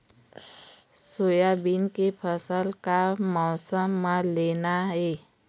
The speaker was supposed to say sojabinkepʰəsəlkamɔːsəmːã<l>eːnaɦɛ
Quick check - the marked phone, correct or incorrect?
correct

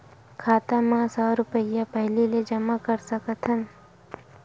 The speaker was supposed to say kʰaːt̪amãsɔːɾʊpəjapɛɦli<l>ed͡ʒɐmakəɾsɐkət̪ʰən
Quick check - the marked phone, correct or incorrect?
correct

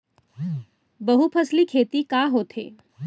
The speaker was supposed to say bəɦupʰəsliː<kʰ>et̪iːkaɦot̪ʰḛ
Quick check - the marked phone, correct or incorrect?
correct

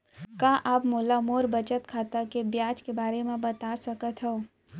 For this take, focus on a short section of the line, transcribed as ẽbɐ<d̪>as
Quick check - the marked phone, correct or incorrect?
incorrect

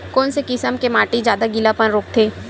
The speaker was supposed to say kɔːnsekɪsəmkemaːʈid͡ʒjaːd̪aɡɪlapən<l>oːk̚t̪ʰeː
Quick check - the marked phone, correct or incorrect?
incorrect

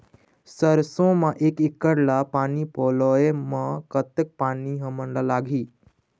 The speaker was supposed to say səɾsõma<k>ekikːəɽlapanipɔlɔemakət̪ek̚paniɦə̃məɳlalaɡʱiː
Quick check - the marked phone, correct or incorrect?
incorrect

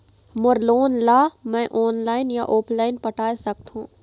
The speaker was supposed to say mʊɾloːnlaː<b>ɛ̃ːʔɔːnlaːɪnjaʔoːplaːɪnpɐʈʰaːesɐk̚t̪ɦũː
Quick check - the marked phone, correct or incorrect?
incorrect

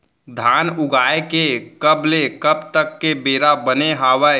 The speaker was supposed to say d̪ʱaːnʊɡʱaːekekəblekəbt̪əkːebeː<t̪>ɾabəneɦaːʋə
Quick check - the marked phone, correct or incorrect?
incorrect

